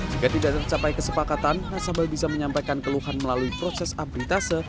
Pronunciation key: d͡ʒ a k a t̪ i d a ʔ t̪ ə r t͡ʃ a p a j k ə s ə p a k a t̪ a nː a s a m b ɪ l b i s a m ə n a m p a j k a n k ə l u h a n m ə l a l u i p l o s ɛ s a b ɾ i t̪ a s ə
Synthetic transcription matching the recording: d͡ʒ i k a t̪ i d a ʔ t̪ ə r t͡ʃ a p a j k ə s ə p a k a t̪ a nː a s a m b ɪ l b i s a m ə ɲ a m p a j k a n k ə l u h a n m ə l a l u i p ɾ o s ɛ s a b ɾ i t̪ a s ə